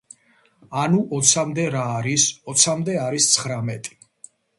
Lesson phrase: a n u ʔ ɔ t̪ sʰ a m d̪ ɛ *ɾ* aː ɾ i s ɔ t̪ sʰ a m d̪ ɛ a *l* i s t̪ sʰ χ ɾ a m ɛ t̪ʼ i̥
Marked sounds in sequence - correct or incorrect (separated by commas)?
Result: correct, incorrect